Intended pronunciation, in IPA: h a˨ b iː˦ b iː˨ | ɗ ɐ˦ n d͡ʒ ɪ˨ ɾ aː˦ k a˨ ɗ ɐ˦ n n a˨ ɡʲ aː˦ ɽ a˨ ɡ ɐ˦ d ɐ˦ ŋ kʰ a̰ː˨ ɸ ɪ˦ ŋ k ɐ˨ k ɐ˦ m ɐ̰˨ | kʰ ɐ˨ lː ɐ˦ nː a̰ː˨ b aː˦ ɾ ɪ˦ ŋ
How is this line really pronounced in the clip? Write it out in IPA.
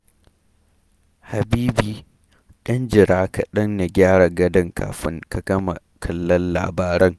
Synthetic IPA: h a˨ b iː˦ b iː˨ | ɗ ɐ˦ n d͡ʒ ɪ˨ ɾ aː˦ k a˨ ɗ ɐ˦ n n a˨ ɡʲ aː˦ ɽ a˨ ɡ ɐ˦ d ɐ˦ ŋ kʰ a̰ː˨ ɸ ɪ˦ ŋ k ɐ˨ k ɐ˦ m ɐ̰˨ | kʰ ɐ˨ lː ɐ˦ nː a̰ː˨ b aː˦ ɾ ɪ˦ ŋ